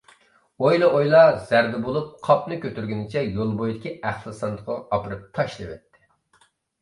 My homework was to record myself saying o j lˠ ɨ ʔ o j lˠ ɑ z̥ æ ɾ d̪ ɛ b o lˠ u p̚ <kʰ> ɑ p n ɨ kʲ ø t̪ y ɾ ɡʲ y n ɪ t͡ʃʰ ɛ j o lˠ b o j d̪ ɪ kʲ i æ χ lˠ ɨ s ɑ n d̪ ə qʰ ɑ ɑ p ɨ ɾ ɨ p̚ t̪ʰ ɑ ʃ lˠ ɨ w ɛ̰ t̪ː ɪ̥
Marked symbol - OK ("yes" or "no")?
no